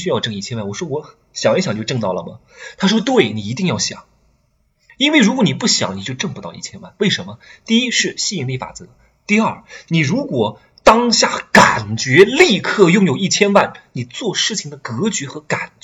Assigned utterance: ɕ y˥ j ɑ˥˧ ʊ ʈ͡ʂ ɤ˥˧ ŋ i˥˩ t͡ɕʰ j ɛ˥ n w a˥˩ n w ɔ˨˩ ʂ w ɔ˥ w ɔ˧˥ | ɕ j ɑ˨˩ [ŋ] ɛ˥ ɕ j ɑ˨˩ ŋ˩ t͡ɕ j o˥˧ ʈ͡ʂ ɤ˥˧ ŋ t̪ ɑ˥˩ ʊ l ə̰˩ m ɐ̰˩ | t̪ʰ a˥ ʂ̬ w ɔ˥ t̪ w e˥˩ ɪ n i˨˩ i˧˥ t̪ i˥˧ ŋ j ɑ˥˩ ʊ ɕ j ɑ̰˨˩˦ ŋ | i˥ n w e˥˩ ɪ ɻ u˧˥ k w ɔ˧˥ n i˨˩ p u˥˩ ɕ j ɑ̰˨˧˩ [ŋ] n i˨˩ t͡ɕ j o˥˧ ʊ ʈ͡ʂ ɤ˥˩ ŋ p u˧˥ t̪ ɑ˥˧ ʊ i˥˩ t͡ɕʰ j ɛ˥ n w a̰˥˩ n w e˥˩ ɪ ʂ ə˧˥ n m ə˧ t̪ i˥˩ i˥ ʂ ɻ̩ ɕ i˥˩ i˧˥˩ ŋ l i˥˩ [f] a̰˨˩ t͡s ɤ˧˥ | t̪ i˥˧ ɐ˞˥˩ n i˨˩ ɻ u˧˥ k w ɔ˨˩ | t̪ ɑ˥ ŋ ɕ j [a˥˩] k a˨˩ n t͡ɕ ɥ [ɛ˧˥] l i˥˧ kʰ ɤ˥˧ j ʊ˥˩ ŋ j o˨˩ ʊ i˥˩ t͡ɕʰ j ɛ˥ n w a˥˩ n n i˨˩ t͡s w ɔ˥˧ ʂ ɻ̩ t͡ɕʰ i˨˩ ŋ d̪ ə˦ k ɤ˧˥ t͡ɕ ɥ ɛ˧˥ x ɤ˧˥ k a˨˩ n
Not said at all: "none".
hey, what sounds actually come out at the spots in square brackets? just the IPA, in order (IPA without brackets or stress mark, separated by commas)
ŋ, ŋ, f, a˥˩, ɛ˧˥